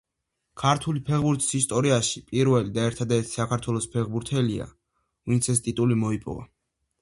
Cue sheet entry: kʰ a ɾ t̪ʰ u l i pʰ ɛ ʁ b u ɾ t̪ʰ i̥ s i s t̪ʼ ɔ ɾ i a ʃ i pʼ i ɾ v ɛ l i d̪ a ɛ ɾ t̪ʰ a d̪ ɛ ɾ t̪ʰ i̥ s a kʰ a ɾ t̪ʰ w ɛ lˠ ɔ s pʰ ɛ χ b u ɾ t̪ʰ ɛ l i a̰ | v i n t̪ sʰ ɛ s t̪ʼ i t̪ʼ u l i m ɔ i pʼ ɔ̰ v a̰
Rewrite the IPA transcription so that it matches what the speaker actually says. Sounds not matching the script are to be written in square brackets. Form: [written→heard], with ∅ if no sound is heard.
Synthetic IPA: kʰ a ɾ t̪ʰ u l i pʰ ɛ ʁ b u ɾ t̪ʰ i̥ s i s t̪ʼ ɔ ɾ i a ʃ i pʼ i ɾ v ɛ l i d̪ a ɛ ɾ t̪ʰ a d̪ ɛ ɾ t̪ʰ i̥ s a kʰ a ɾ t̪ʰ w ɛ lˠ ɔ s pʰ ɛ [χ→ʁ] b u ɾ t̪ʰ ɛ l i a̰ | v i n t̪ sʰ ɛ s t̪ʼ i t̪ʼ u l i m ɔ i pʼ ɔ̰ v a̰